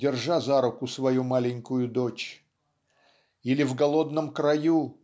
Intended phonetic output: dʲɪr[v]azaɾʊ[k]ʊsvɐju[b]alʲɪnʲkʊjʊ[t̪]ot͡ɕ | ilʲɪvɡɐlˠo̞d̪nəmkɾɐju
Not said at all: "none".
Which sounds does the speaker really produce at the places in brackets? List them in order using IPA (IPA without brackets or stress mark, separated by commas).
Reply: ʐ, k, m, d̪